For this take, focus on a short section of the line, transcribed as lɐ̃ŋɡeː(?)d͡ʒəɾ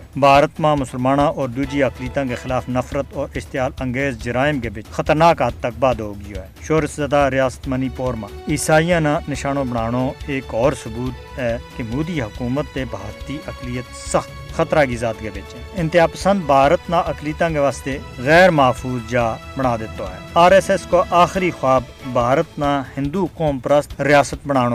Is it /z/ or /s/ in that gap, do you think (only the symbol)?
z